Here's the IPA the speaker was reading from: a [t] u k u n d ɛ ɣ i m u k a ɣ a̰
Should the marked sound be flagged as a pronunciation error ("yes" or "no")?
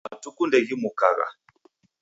no